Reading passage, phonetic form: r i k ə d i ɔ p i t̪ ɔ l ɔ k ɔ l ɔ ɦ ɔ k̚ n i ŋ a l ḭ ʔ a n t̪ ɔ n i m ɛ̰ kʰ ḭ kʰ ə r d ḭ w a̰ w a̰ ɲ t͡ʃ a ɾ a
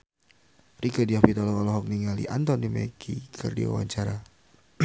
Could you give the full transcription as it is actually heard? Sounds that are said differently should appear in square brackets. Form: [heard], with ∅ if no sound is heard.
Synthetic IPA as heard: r i k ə d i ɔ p i t̪ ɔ l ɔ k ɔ l ɔ ɦ ɔ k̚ n i ŋ a l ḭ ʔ a n t̪ ɔ n i m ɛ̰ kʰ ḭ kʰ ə r d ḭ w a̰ w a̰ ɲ t͡ʃ a ɾ a